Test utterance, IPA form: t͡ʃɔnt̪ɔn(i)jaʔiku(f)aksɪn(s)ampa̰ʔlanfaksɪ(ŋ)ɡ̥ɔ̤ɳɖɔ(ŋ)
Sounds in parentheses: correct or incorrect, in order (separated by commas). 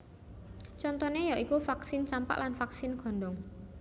incorrect, correct, correct, incorrect, correct